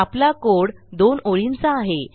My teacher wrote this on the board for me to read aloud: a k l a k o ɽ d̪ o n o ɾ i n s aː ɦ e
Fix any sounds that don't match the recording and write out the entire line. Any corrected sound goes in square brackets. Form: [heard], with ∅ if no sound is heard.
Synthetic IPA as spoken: a [p] l a k o ɽ d̪ o n o [ɭ] i n [t͡s] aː ɦ e